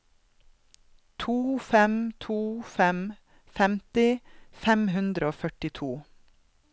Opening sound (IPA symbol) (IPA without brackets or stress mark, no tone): t̪ʰ